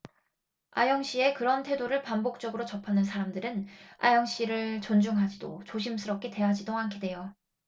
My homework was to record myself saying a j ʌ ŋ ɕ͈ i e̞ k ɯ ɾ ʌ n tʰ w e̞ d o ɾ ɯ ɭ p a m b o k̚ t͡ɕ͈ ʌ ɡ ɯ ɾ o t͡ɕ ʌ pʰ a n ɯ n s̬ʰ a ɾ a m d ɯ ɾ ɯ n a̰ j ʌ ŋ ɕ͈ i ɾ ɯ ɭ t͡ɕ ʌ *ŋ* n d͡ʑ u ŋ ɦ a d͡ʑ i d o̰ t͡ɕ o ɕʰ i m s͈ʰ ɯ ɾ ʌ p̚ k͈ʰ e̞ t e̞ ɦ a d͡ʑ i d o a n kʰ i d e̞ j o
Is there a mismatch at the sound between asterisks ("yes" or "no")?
yes